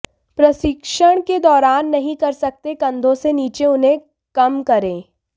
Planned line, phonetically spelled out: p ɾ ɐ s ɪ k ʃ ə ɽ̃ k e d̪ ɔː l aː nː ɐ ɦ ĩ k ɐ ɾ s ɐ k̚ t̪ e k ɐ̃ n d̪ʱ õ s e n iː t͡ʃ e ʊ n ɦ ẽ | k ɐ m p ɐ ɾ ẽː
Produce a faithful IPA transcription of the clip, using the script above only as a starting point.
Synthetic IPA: p ɾ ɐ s ɪ k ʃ ə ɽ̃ k e d̪ ɔː ɾ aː nː ɐ ɦ ĩ k ɐ ɾ s ɐ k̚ t̪ e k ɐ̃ n d̪ʱ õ s e n iː t͡ʃ e ʊ n ɦ ẽ | k ɐ m k ɐ ɾ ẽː